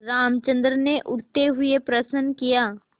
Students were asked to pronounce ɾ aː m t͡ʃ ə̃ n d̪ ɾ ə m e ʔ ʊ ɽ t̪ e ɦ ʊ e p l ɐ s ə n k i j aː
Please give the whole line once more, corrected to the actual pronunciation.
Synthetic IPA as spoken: ɾ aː m t͡ʃ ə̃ n d̪ ɾ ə n e ʔ ʊ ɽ t̪ e ɦ ʊ e p ɾ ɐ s ə n k i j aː